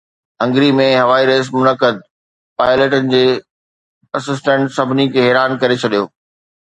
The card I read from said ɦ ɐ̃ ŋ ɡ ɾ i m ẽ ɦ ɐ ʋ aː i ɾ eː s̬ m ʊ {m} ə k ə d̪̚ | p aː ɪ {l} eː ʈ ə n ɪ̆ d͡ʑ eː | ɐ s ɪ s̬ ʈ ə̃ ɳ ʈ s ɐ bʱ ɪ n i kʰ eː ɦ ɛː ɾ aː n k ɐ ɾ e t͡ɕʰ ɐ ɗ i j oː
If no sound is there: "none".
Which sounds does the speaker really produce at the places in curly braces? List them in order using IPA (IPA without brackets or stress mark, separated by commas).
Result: n, l